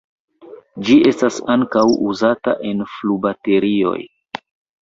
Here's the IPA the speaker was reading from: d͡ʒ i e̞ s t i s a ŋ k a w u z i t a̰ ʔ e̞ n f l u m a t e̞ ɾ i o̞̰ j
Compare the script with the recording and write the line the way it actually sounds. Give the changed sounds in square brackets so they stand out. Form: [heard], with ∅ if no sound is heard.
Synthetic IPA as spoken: d͡ʒ i e̞ s t [a] s a ŋ k a w u z [a] t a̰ ʔ e̞ n f l u [b] a t e̞ ɾ i o̞̰ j